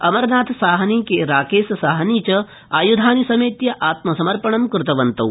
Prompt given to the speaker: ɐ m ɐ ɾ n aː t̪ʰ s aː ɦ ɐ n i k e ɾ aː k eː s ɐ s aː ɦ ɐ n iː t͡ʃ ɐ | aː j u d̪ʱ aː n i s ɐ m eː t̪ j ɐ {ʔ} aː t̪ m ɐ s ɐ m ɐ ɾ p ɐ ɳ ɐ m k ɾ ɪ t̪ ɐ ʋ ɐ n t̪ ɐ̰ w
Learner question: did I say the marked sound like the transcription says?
yes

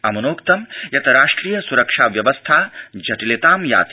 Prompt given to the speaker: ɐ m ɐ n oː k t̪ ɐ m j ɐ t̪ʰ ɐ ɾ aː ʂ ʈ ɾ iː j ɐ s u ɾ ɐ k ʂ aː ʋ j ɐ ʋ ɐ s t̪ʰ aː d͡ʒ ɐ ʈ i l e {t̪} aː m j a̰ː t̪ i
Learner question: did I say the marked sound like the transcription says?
yes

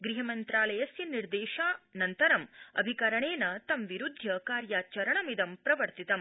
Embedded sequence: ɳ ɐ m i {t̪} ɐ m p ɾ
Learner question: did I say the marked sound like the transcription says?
no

